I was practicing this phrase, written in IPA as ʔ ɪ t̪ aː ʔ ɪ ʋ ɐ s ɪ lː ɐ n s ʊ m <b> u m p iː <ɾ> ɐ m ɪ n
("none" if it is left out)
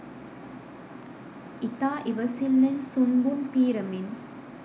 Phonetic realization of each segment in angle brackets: b, ɾ

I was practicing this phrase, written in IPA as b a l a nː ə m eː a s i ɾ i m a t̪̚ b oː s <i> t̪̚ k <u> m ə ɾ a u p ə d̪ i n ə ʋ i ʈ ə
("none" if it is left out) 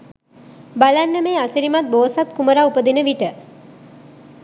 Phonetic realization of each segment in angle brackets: a, u

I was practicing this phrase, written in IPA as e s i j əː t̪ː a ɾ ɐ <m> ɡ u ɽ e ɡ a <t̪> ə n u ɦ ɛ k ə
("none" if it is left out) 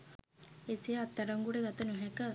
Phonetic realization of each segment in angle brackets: ŋ, t̪

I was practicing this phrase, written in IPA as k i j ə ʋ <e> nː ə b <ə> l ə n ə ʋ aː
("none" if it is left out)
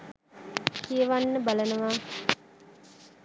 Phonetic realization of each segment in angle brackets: a, a

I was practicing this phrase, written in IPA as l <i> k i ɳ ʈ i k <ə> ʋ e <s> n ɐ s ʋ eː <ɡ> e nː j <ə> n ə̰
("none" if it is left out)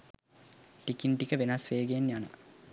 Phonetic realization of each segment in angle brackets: i, ə, none, ɡ, a

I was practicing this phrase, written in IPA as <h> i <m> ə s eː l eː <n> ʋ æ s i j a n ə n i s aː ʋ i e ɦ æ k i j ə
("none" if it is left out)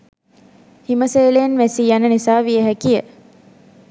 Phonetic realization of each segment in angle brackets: h, m, n

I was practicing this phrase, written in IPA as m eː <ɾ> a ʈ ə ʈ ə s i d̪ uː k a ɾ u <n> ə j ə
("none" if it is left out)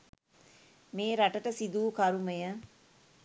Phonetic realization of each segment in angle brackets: ɾ, m

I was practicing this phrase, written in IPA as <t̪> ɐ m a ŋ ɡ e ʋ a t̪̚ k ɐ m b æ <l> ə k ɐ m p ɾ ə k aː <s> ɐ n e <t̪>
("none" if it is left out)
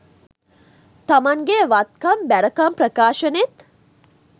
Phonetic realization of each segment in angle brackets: t̪, ɾ, ʃ, t̪

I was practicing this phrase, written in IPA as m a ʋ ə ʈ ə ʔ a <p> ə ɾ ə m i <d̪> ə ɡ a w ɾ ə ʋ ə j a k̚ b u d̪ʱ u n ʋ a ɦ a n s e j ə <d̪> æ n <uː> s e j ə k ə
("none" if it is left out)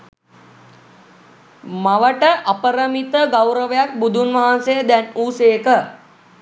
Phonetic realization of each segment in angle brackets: p, t̪, d̪, uː

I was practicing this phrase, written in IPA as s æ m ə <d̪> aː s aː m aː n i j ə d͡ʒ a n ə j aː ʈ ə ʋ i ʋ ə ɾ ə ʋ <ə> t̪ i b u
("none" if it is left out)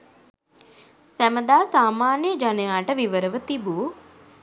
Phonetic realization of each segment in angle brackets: d̪, ə

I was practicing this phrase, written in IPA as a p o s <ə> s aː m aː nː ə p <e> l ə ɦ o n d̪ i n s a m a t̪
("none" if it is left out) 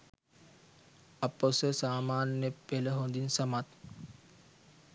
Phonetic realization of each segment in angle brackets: ə, e

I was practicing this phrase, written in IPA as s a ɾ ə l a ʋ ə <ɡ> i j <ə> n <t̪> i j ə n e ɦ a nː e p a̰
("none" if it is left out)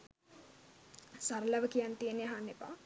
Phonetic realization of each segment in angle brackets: k, a, t̪

